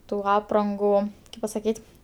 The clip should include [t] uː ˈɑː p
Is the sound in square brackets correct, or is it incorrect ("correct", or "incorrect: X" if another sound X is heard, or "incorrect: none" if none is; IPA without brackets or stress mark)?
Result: correct